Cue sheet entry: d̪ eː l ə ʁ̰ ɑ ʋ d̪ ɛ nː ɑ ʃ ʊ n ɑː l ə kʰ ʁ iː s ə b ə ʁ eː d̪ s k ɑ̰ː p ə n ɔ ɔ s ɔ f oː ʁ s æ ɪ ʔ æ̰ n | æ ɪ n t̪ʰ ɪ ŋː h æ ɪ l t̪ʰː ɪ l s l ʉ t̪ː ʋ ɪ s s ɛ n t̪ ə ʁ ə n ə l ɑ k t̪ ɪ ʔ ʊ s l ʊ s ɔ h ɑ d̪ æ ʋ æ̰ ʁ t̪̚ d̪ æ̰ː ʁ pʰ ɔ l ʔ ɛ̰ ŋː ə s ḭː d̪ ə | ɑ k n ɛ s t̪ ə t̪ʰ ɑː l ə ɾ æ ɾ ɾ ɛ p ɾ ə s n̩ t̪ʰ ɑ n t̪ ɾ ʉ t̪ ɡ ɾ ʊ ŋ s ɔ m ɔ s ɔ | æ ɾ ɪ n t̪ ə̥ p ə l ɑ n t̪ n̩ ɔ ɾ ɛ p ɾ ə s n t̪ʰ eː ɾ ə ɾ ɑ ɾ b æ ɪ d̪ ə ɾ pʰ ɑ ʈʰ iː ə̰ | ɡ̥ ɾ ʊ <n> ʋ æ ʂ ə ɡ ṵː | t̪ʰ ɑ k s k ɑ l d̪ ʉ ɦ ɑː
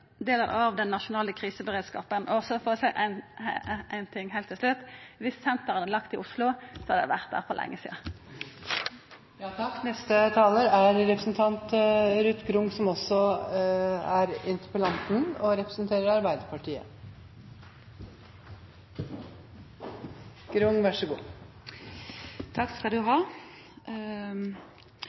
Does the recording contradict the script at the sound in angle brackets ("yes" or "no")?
yes